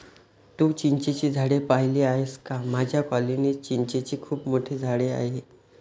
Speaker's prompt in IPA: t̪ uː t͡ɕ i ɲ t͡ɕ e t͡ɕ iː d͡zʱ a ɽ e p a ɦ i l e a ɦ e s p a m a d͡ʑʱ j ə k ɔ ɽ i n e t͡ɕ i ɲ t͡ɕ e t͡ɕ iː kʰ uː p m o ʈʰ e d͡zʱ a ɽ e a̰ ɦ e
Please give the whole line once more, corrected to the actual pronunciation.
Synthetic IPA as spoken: t̪ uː t͡ɕ i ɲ t͡ɕ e t͡ɕ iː d͡zʱ a ɽ e p a ɦ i l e a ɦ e s k a m a d͡ʑʱ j a k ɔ l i n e t͡ɕ i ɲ t͡ɕ e t͡ɕ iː kʰ uː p m o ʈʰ e d͡zʱ a ɽ e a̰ ɦ e